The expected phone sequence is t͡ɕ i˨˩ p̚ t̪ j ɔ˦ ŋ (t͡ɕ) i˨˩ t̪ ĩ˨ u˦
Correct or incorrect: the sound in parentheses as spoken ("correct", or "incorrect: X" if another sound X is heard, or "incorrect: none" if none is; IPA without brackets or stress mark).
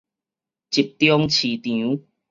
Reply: incorrect: t͡ɕʰ